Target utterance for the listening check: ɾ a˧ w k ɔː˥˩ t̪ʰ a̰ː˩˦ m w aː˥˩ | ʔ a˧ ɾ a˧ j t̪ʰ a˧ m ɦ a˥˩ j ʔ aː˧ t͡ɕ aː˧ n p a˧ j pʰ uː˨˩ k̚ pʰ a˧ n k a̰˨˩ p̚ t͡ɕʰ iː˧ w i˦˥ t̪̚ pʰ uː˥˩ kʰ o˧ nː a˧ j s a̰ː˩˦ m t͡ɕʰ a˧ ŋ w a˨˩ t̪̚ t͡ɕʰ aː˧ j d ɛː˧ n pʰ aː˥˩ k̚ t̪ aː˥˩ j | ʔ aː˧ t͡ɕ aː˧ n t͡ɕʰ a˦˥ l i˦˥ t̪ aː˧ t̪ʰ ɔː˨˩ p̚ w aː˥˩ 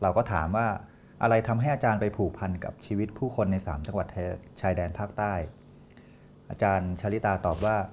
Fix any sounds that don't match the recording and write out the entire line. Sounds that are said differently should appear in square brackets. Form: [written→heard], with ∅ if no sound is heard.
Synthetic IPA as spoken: ɾ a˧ w k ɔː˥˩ t̪ʰ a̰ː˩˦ m w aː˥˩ | ʔ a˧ ɾ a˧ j t̪ʰ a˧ m ɦ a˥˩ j ʔ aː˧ t͡ɕ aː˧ n p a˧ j pʰ uː˨˩ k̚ pʰ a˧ n k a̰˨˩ p̚ t͡ɕʰ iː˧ w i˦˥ t̪̚ pʰ uː˥˩ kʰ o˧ nː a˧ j s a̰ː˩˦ m [t͡ɕʰ→t͡ɕ] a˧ ŋ w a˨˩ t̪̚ t͡ɕʰ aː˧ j d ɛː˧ n pʰ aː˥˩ k̚ t̪ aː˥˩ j | ʔ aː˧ t͡ɕ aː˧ n t͡ɕʰ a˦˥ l i˦˥ t̪ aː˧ [t̪ʰ→t̪] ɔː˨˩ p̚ w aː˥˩